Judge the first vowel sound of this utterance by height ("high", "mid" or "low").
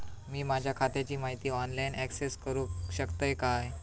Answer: high